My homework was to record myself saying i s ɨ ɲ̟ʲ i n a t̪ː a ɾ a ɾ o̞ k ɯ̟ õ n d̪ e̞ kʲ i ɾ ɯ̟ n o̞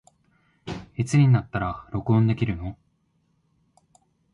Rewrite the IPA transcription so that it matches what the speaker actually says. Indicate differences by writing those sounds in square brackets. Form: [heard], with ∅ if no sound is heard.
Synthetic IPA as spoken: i [t͡s] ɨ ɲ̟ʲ i n a t̪ː a ɾ a ɾ o̞ k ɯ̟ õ n d̪ e̞ kʲ i ɾ ɯ̟ n o̞